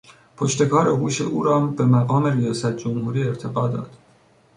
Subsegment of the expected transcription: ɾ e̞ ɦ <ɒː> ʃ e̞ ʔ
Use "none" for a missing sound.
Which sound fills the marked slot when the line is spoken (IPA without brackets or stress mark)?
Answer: uː